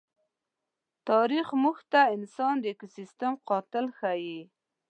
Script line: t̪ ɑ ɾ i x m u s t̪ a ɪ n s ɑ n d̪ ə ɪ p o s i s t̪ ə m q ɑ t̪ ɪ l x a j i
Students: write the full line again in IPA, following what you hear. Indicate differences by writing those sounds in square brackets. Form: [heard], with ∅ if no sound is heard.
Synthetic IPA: t̪ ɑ ɾ i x m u [x] t̪ a ɪ n s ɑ n d̪ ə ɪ [k] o s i s t̪ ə m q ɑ t̪ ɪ l x a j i

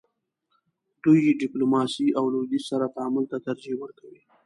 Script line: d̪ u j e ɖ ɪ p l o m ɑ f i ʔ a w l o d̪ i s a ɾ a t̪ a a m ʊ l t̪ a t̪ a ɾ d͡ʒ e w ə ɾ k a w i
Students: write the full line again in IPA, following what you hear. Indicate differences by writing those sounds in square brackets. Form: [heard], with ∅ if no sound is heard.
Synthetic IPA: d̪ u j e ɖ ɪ p l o m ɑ [s] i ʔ a w l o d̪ i s a ɾ a t̪ a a m ʊ l t̪ a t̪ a ɾ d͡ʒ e w ə ɾ k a w i

